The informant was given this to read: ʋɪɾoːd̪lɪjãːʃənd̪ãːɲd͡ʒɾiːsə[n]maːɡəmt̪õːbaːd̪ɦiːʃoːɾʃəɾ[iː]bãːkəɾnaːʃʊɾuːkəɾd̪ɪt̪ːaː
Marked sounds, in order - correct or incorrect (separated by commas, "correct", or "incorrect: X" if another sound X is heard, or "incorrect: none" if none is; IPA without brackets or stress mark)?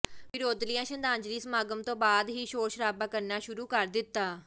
incorrect: none, incorrect: aː